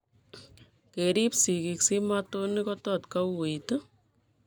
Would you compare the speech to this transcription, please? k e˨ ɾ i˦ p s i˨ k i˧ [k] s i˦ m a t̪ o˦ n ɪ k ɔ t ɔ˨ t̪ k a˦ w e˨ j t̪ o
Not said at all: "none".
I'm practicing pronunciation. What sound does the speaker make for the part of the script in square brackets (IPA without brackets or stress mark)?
k